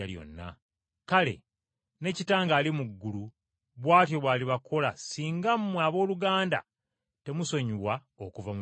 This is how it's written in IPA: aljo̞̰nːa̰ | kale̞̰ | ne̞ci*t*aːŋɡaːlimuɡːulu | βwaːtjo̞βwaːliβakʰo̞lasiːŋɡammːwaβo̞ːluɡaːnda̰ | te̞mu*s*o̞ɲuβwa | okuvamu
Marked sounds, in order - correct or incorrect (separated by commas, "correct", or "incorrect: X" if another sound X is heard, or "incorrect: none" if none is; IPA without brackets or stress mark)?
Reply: correct, correct